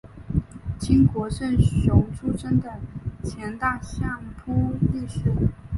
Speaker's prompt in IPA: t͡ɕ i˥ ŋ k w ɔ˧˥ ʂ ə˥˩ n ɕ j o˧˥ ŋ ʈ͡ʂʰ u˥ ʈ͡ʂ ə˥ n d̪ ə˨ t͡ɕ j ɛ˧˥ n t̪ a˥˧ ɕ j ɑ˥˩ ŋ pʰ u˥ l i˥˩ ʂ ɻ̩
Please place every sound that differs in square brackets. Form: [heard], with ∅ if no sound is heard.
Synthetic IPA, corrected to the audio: t͡ɕ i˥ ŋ k w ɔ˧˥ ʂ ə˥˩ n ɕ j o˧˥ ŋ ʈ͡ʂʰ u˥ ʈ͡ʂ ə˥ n d̪ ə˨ [t͡ɕʰ] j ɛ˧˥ n t̪ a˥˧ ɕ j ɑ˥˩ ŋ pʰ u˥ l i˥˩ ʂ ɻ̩